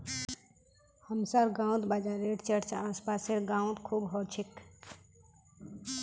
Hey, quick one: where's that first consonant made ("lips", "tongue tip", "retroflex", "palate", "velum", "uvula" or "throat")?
throat